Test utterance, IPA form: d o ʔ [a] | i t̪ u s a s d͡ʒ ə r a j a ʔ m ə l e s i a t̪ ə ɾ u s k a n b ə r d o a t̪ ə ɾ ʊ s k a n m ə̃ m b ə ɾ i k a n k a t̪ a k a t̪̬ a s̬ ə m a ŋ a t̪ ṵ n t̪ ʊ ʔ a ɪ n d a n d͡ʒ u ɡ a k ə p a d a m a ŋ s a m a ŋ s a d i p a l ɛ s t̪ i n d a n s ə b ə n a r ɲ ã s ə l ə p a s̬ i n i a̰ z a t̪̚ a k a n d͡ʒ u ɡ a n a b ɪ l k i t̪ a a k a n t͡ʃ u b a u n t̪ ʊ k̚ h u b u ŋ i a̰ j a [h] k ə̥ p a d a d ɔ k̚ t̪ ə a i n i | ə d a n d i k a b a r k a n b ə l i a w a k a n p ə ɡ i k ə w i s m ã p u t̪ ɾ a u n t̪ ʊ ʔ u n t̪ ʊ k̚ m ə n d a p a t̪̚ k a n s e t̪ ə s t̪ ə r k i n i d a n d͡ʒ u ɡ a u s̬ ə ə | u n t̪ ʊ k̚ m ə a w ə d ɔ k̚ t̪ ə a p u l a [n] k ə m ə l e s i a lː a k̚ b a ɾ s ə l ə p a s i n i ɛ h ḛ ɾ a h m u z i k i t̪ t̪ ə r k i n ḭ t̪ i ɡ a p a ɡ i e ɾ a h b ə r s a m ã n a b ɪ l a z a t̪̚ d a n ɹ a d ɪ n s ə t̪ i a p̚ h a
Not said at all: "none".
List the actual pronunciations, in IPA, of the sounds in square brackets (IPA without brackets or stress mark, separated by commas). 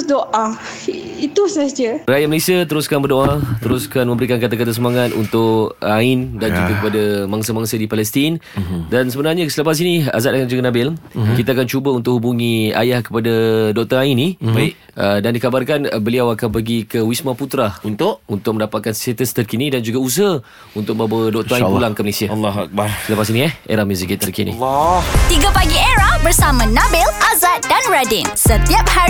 a, h, ŋ